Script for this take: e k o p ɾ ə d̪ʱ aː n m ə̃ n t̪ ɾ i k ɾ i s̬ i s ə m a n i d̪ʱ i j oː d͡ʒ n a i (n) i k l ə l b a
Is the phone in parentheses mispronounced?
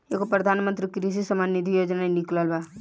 no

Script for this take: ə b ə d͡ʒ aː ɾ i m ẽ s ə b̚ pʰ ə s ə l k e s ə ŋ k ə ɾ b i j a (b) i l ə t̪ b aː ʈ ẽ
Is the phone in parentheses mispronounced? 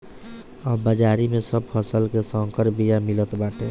yes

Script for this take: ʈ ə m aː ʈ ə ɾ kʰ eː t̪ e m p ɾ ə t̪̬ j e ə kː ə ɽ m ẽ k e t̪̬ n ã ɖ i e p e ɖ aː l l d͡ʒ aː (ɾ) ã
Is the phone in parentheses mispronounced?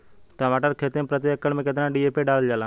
yes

